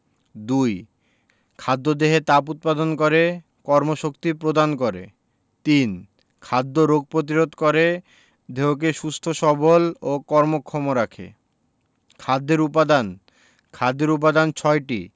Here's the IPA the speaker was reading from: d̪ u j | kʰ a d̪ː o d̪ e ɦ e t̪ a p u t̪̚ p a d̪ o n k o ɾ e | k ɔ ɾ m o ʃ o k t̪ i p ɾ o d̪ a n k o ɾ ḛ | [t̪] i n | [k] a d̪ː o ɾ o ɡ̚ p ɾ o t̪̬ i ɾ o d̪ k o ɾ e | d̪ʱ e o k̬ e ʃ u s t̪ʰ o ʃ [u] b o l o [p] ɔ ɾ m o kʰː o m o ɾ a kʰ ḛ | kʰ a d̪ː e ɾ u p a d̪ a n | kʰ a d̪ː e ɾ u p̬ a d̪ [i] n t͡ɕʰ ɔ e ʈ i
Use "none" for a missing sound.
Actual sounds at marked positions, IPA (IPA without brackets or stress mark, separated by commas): t̪, kʰ, ɔ, k, a